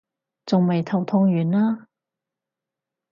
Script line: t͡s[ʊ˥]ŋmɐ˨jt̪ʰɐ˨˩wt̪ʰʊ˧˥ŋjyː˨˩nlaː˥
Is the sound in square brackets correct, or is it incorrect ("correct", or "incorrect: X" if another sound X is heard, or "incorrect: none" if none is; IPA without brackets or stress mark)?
incorrect: ʊ˨